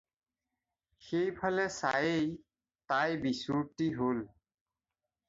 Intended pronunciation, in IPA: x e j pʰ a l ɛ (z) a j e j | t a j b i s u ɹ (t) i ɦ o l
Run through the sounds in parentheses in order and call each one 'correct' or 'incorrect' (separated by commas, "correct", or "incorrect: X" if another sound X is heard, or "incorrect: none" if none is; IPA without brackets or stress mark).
incorrect: s, correct